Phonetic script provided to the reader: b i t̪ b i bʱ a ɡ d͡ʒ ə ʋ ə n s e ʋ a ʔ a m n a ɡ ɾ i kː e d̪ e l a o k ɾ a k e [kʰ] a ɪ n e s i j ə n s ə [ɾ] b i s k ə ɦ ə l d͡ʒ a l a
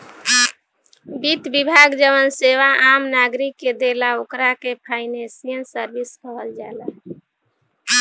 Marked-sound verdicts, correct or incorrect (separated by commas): incorrect, correct